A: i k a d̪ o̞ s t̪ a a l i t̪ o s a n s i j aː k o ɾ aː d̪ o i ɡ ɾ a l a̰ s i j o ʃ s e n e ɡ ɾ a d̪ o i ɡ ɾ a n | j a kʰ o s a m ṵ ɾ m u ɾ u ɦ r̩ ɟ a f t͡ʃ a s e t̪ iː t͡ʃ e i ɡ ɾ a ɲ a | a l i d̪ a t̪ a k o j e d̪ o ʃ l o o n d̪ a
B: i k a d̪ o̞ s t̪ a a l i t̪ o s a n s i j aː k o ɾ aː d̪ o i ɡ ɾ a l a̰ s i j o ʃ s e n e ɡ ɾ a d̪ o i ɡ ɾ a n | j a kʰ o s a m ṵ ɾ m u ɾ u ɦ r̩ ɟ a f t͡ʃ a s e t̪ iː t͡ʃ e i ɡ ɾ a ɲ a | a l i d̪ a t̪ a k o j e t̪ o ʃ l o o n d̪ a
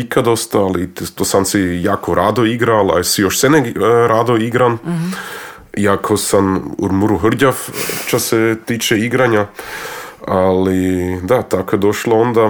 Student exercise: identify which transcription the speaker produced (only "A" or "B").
A